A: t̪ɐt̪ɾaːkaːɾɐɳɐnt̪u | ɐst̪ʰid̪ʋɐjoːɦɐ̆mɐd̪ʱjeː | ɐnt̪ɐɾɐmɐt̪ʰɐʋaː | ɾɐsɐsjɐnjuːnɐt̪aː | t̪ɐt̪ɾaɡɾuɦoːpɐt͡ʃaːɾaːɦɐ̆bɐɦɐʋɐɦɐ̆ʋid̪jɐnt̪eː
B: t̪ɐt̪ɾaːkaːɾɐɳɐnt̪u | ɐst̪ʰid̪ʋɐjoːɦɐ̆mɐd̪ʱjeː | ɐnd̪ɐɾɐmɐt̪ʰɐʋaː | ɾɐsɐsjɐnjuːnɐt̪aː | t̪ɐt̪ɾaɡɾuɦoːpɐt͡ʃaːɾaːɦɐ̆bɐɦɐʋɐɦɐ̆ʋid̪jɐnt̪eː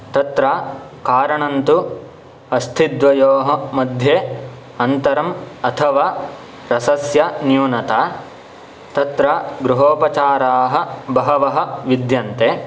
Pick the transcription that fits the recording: A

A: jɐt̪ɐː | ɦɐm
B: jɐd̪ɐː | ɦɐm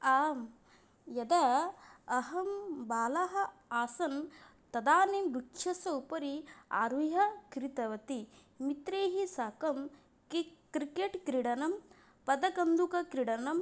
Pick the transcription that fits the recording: B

